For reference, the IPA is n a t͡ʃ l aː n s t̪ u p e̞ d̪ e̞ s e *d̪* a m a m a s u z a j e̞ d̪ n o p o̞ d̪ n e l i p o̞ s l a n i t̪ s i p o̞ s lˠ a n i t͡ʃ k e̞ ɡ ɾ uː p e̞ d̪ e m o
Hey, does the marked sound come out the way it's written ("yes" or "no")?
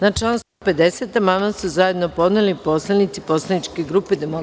no